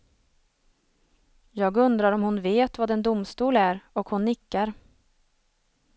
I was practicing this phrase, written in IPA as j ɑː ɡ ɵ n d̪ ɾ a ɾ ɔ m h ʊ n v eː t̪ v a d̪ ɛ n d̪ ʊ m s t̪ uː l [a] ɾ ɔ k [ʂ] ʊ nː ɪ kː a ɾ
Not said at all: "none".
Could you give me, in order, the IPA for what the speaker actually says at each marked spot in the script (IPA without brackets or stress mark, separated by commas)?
æ, h